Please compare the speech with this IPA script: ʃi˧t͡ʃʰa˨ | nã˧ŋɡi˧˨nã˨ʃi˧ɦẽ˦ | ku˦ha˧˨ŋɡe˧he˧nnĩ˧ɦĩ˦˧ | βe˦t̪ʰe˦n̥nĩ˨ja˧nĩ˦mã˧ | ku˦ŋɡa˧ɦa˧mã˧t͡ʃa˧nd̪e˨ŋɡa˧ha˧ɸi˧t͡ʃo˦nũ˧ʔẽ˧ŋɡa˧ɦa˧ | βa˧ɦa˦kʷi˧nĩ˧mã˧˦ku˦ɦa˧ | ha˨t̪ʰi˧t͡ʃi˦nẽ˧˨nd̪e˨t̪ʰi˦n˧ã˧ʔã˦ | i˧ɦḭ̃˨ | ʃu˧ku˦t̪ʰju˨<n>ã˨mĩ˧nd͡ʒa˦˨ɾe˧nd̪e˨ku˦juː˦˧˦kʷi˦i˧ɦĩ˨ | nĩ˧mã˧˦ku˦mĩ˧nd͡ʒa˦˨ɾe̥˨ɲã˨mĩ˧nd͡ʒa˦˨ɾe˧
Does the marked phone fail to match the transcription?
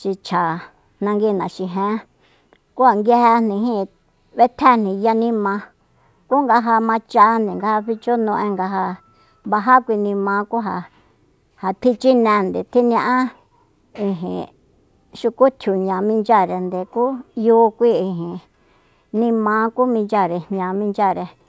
yes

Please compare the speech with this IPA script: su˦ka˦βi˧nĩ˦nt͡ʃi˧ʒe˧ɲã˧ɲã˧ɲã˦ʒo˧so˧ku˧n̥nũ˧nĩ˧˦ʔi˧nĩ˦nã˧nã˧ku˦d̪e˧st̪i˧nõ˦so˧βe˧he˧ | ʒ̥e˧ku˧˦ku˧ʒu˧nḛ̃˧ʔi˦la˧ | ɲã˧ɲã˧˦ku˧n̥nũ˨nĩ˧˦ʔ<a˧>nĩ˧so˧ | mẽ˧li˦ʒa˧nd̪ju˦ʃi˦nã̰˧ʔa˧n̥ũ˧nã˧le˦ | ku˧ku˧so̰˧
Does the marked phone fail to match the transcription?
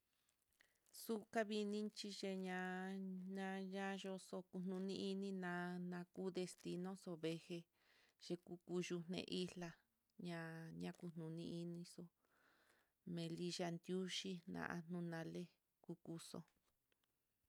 yes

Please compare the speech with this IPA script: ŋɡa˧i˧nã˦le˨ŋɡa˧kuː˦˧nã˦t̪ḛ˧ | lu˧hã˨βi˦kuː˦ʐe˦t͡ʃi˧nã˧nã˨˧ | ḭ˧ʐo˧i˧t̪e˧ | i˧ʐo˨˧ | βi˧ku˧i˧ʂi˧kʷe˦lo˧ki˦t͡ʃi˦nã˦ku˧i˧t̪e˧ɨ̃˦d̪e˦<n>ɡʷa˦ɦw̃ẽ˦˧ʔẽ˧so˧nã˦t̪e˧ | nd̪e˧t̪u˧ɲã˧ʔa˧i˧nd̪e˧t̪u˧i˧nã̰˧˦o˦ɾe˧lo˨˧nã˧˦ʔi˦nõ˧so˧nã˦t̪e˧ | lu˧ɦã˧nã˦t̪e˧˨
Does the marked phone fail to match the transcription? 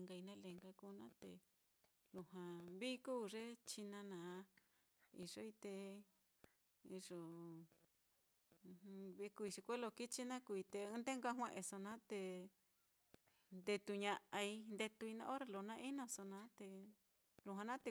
yes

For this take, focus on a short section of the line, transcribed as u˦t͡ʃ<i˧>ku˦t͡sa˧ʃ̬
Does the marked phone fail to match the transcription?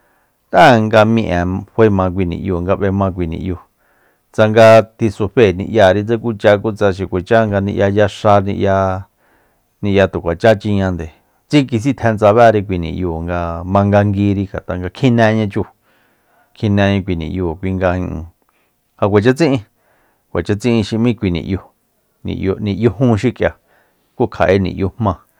yes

